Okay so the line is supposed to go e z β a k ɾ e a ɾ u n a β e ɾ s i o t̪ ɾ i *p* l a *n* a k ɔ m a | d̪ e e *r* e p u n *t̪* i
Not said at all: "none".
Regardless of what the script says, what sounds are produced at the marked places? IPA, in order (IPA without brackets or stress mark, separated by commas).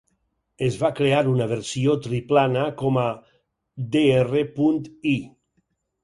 p, n, r, t̪